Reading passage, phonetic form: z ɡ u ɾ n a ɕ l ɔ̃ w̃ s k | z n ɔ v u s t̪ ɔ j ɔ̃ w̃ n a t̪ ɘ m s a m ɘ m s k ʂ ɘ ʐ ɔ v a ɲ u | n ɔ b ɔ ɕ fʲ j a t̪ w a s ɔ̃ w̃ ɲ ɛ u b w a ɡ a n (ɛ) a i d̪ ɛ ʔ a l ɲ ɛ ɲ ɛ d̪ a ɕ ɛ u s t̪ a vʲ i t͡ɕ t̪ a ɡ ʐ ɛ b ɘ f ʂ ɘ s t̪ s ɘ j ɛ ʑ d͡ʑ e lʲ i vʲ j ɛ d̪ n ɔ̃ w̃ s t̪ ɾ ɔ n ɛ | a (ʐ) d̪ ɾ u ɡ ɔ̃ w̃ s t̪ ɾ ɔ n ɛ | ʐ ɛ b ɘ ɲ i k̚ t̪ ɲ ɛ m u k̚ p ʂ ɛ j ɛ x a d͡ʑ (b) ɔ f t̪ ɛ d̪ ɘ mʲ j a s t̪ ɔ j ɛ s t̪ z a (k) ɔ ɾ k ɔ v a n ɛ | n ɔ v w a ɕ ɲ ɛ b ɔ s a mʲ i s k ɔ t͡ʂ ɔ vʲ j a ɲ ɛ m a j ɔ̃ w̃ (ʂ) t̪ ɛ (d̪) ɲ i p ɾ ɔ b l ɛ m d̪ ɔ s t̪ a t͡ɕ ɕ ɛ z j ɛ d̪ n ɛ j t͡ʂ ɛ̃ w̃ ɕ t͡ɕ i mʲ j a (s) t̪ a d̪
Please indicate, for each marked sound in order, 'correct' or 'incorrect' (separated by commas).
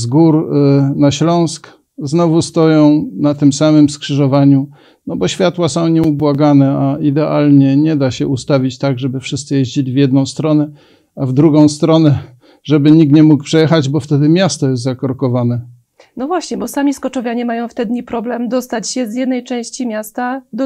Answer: correct, incorrect, correct, correct, incorrect, correct, correct